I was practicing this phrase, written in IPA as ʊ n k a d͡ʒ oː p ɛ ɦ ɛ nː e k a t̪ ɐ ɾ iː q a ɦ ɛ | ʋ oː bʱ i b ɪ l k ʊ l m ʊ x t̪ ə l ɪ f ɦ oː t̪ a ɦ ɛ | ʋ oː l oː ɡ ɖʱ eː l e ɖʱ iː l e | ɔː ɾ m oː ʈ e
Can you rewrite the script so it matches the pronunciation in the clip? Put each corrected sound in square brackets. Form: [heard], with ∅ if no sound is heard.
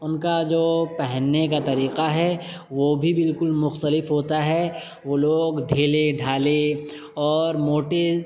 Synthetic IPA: ʊ n k a d͡ʒ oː p ɛ ɦ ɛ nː e k a t̪ ɐ ɾ iː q a ɦ ɛ | ʋ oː bʱ i b ɪ l k ʊ l m ʊ x t̪ ə l ɪ f ɦ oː t̪ a ɦ ɛ | ʋ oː l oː ɡ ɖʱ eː l e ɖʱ [aː] l e | ɔː ɾ m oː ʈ e